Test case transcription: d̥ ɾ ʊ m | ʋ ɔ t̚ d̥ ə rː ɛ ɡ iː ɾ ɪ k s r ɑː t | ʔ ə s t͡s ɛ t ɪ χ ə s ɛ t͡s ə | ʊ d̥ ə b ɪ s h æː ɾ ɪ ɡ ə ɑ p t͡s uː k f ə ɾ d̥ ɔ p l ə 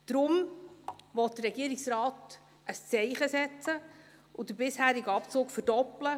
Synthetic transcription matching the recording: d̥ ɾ ʊ m | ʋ ɔ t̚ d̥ ə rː ɛ ɡ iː ɾ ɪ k s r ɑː t | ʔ ə s t͡s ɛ ɪ χ ə s ɛ t͡s ə | ʊ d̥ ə b ɪ s h æː ɾ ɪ ɡ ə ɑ p t͡s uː k f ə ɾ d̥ ɔ p l ə